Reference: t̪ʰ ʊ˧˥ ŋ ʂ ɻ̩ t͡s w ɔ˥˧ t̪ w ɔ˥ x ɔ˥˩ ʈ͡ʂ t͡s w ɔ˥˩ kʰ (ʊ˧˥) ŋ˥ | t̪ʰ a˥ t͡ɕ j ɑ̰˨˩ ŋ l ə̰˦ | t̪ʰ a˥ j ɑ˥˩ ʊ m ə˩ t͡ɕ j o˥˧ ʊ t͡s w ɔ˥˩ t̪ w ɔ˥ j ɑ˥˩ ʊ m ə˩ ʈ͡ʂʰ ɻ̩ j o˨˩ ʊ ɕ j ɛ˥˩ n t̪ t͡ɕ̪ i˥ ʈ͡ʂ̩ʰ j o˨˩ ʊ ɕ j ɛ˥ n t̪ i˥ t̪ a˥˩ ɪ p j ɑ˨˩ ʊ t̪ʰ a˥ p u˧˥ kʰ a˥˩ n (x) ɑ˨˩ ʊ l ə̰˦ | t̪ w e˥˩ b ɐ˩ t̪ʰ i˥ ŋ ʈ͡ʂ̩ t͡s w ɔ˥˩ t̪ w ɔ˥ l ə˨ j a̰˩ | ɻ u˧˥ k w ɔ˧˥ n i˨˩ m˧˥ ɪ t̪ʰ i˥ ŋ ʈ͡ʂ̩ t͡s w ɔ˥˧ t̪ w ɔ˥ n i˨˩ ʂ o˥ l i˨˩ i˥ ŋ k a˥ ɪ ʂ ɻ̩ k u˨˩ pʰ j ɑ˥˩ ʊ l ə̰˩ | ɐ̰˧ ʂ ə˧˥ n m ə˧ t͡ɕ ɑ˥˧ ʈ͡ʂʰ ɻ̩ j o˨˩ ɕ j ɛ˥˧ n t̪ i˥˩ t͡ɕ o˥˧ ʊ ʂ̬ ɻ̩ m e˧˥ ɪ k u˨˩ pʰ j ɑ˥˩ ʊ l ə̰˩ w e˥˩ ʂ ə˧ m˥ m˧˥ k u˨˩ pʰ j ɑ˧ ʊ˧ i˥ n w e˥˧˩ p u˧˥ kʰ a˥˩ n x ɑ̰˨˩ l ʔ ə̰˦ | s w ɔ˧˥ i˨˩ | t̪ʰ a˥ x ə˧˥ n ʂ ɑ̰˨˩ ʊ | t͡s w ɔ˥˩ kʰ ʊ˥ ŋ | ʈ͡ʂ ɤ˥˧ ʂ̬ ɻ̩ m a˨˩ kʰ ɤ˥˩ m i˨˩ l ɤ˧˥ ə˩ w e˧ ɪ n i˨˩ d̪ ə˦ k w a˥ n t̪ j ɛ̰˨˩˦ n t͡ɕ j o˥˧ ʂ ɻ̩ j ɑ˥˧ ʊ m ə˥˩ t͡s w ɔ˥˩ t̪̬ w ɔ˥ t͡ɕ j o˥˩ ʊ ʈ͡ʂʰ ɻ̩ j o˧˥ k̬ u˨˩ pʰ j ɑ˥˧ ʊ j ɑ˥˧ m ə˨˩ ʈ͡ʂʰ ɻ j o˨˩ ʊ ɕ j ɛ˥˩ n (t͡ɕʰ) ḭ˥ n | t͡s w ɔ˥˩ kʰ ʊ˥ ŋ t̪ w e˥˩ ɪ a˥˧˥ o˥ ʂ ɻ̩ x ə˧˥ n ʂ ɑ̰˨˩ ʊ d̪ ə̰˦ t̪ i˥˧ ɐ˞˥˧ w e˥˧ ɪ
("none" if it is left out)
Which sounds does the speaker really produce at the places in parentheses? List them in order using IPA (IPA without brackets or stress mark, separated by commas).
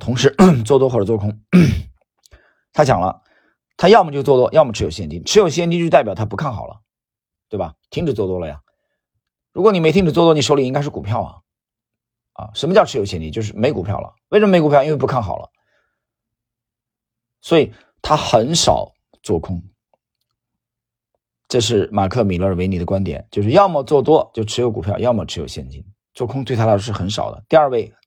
ʊ˥, x, t͡ɕ